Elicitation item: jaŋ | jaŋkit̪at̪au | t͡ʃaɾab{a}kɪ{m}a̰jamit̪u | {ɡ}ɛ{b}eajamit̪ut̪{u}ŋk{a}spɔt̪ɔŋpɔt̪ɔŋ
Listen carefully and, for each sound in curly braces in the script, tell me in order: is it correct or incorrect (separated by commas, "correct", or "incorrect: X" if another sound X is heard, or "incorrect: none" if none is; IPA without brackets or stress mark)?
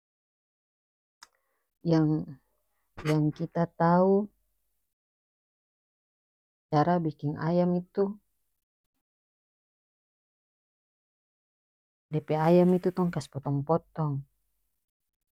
incorrect: i, incorrect: ŋ, incorrect: d, incorrect: p, incorrect: ɔ, correct